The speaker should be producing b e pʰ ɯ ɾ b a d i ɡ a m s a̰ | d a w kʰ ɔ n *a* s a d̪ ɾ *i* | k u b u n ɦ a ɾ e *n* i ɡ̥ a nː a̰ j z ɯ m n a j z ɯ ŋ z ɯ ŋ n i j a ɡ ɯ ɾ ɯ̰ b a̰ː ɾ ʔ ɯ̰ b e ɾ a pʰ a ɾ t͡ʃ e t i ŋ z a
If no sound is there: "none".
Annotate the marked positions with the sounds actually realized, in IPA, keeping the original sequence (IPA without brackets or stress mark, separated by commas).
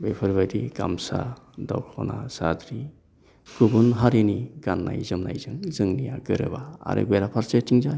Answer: a, i, n